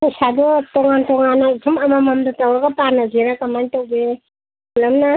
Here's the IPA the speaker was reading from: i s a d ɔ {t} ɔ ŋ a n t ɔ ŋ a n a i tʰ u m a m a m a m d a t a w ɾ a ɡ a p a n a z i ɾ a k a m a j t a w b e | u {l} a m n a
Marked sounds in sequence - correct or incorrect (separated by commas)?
correct, correct